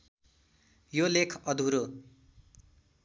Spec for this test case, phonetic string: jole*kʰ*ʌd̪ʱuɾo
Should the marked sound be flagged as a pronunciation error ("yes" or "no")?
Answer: no